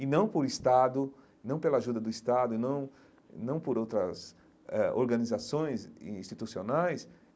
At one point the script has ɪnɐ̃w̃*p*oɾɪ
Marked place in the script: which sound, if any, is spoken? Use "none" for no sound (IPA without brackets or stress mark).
p